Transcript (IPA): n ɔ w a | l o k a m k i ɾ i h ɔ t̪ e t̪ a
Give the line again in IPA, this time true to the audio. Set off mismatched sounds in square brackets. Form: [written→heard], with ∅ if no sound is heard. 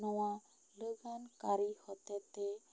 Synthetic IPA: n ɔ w a | l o [k→ɡ] a [m→n] k [i→a] ɾ i h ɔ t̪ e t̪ [a→e]